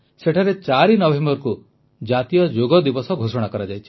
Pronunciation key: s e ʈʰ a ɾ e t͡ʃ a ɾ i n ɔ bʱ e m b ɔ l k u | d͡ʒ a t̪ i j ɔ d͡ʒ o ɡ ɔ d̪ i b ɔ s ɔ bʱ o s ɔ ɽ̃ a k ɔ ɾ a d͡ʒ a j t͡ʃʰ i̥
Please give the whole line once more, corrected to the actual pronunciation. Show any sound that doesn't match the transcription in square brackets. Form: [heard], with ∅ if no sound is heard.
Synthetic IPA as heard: s e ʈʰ a ɾ e t͡ʃ a ɾ i n ɔ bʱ e m b ɔ [ɾ] k u | d͡ʒ a t̪ i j ɔ d͡ʒ o ɡ ɔ d̪ i b ɔ s ɔ [ɡʱ] o s ɔ ɽ̃ a k ɔ ɾ a d͡ʒ a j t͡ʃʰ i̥

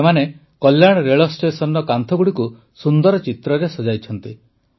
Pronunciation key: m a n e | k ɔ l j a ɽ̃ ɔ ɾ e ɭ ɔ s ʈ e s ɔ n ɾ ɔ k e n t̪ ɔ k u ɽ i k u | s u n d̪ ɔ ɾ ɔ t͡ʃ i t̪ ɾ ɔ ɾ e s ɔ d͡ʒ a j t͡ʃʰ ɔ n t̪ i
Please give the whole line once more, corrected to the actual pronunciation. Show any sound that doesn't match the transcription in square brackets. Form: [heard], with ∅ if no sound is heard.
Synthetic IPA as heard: m a n e | k ɔ l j a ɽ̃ ɔ ɾ e ɭ ɔ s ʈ e s ɔ n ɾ ɔ k [a] n [t̪ʰ] ɔ [ɡ] u ɽ i k u | s u n d̪ ɔ ɾ ɔ t͡ʃ i t̪ ɾ ɔ ɾ e s ɔ d͡ʒ a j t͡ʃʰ ɔ n t̪ i

